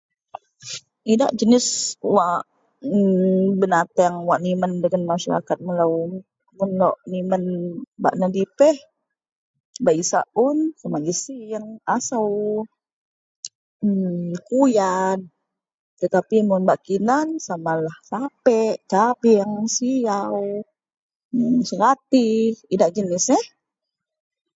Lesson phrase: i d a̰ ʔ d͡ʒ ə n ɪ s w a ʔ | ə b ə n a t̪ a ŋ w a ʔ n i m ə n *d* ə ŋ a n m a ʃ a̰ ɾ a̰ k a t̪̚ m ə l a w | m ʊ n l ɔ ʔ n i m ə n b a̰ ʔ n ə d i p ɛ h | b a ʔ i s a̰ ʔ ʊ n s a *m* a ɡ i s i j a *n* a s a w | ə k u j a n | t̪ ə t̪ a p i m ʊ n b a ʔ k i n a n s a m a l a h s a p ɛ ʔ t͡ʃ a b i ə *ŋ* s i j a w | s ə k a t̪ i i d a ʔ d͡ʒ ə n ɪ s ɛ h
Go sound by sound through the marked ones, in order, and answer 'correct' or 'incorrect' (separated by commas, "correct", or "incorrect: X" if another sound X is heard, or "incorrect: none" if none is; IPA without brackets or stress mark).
correct, correct, incorrect: ŋ, correct